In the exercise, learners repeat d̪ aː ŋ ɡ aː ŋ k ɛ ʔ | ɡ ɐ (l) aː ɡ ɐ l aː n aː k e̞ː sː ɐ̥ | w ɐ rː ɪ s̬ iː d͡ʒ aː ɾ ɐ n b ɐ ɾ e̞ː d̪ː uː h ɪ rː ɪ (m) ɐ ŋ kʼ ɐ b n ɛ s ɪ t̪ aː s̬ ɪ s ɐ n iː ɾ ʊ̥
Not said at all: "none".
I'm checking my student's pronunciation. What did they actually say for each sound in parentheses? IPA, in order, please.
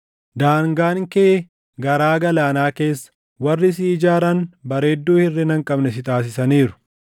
ɾ, n

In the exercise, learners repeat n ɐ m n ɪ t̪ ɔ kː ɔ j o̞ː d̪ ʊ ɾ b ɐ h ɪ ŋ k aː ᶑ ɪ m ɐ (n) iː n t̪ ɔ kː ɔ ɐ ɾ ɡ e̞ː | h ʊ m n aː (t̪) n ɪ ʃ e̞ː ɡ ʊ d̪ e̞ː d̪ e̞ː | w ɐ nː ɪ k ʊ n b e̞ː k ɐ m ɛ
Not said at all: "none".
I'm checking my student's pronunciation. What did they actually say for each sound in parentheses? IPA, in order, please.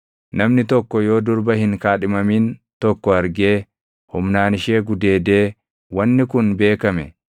m, none

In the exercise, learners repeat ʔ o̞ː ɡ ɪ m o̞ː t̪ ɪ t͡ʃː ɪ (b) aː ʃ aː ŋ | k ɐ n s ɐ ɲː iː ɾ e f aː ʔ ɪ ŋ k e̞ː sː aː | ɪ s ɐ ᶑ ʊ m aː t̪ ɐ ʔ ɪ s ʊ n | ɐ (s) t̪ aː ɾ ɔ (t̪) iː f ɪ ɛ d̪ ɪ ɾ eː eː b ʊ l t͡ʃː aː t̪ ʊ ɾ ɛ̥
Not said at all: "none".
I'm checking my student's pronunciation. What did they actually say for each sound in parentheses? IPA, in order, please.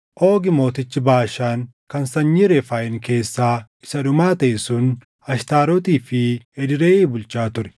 b, ʃ, t̪

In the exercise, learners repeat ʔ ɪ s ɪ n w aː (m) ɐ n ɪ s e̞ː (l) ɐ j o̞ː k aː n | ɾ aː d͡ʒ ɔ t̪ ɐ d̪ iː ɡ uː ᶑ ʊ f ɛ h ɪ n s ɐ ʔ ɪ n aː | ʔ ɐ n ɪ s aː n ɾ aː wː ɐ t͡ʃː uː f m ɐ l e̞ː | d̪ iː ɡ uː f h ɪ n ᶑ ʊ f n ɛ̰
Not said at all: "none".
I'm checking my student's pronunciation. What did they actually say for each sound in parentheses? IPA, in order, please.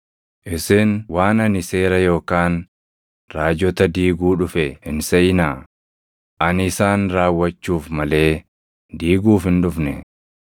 n, ɾ

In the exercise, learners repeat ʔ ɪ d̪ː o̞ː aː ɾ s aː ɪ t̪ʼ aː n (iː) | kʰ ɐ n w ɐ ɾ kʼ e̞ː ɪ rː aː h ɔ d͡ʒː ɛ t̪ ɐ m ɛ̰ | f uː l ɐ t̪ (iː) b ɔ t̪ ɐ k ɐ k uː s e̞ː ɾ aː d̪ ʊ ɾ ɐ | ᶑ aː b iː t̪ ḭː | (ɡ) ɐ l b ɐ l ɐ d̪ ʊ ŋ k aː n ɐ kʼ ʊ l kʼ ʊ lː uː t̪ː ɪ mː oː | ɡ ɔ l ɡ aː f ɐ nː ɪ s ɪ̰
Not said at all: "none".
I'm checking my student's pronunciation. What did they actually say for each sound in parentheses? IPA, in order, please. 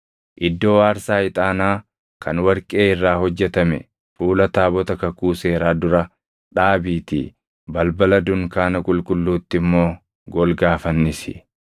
aː, aː, b

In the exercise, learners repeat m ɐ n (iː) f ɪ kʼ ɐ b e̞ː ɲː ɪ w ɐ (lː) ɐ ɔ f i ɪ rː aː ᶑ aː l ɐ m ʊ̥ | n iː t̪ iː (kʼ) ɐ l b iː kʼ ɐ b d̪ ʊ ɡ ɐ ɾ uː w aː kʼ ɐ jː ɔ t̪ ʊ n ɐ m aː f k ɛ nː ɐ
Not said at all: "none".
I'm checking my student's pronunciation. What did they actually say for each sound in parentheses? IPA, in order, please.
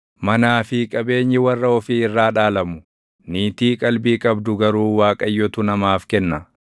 aː, rː, kʼ

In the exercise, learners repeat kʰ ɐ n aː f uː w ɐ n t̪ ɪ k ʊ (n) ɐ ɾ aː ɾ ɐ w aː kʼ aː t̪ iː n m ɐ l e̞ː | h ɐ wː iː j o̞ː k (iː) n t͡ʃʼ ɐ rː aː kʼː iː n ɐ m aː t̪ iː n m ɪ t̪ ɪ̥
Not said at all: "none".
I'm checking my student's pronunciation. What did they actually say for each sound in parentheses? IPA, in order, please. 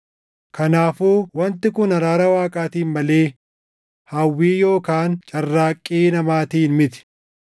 n, aː

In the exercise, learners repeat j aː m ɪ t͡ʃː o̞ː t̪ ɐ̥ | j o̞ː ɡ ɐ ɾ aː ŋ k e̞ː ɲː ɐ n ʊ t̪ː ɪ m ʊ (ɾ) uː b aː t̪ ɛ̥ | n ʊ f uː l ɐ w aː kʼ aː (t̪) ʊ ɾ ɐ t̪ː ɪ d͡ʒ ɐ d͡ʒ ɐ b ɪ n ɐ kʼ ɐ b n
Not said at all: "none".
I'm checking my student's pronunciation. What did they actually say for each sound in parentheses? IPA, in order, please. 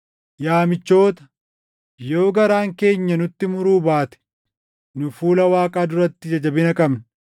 ɾ, d̪

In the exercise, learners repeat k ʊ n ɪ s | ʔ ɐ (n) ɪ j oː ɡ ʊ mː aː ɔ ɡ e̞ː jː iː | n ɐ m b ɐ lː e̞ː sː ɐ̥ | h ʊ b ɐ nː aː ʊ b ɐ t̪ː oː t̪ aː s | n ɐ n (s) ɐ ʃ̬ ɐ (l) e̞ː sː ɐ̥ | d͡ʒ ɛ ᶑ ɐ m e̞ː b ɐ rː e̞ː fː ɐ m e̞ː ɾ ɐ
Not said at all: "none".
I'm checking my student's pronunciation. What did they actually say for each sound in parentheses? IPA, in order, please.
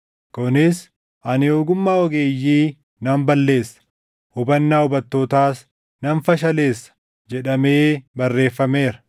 n, f, l

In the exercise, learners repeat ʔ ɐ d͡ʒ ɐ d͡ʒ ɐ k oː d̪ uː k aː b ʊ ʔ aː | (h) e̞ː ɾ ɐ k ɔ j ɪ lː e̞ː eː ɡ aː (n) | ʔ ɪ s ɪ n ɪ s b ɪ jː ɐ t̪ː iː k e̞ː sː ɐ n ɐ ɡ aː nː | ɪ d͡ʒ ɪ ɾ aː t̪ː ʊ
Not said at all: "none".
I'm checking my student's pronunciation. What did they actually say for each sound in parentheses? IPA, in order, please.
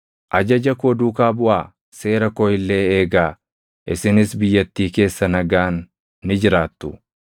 s, none

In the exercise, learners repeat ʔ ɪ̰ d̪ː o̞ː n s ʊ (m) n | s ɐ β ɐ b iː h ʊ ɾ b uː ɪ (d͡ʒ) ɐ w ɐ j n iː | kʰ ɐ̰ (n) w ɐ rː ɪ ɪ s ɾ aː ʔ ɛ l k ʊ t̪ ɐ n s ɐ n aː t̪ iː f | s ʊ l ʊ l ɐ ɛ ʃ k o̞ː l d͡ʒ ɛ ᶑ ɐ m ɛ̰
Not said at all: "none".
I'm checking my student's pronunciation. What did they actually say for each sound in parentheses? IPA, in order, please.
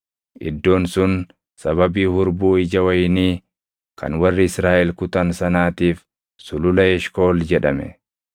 none, d͡ʒ, n

